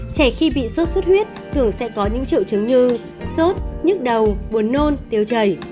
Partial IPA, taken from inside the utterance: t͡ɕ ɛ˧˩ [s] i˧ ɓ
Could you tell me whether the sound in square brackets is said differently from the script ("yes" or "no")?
yes